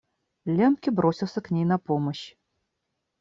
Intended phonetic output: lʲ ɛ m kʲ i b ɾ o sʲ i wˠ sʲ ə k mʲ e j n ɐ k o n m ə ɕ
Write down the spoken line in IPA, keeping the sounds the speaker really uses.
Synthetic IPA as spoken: lʲ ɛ m kʲ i b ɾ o sʲ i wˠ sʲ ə k nʲ e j n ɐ p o m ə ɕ